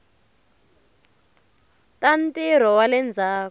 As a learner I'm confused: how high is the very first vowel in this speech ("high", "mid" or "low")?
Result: low